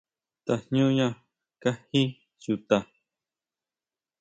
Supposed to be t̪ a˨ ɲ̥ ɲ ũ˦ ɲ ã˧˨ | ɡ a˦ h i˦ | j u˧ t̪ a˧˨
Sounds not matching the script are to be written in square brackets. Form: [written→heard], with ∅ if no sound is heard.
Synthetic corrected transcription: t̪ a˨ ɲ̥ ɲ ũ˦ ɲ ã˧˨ | [ɡ→k] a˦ h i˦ | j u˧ t̪ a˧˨